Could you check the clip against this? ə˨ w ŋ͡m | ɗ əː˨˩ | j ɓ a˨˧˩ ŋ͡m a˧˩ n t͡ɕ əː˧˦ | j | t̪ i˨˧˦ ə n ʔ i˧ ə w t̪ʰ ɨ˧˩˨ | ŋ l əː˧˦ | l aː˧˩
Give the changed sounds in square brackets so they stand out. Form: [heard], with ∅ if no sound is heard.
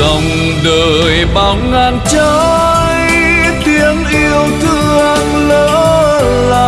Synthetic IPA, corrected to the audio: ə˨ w ŋ͡m | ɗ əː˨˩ | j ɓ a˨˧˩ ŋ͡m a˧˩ n t͡ɕ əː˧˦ | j | t̪ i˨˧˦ ə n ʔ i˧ ə w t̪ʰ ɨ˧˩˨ | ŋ l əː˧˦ | l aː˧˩